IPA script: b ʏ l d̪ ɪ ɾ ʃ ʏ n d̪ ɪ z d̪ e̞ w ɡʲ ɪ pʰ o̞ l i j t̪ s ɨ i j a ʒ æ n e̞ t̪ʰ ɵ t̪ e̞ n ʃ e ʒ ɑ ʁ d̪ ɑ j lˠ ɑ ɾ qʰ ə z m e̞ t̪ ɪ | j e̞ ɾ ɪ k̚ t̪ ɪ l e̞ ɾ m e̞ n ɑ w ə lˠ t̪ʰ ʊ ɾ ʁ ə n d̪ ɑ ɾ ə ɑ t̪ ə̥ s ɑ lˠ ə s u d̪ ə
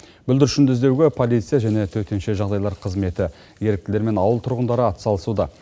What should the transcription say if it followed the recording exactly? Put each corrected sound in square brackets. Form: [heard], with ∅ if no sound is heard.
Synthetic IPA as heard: b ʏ l d̪ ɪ ɾ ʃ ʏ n d̪ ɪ z d̪ e̞ w ɡʲ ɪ pʰ o̞ l i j t̪ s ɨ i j a ʒ æ n e̞ t̪ʰ ɵ t̪ e̞ n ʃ e ʒ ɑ ʁ d̪ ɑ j lˠ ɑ ɾ qʰ ə z m e̞ t̪ ɪ | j e̞ ɾ ɪ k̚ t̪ ɪ l e̞ ɾ m e̞ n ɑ w ə lˠ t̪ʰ ʊ ɾ ʁ ə n d̪ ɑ ɾ ə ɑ t̪ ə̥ s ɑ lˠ ə s u d̪ [ɑ]